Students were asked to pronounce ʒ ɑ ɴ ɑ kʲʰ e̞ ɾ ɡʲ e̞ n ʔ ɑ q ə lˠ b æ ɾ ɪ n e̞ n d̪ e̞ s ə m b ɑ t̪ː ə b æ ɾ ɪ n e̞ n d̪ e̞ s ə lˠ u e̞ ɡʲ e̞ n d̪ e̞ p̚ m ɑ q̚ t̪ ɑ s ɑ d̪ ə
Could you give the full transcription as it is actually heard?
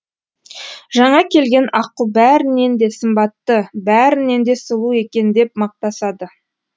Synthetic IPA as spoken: ʒ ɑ ɴ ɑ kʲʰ e̞ l ɡʲ e̞ n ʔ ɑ q ə lˠ b æ ɾ ɪ n e̞ n d̪ e̞ s ə m b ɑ t̪ː ə b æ ɾ ɪ n e̞ n d̪ e̞ s ə lˠ u e̞ kʲ e̞ n d̪ e̞ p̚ m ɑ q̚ t̪ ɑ s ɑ d̪ ə